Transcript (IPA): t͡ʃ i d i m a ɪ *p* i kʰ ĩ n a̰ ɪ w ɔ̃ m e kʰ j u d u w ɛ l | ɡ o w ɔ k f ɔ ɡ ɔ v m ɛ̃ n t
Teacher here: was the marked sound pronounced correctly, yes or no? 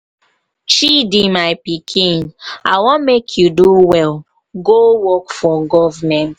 yes